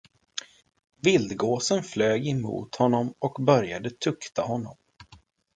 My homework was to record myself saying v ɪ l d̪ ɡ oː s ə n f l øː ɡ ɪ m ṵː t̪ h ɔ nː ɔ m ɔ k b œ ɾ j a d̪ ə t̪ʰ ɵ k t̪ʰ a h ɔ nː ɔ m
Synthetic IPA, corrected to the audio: v ɪ l d̪ ɡ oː s ə n f l øː ɡ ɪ m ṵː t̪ h ɔ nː ɔ m ɔ k b œ ɾ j a d̪ ə t̪ʰ ɵ k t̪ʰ a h ɔ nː ɔ m